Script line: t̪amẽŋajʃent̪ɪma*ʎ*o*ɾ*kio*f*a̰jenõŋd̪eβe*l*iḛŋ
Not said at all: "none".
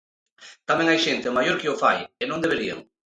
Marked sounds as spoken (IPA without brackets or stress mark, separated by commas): j, ɾ, f, ɾ